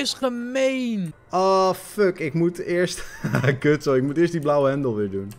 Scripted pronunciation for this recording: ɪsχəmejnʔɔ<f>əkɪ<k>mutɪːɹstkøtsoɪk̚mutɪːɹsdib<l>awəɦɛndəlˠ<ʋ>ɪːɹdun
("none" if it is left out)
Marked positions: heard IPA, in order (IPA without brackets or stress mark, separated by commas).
f, k, l, ʋ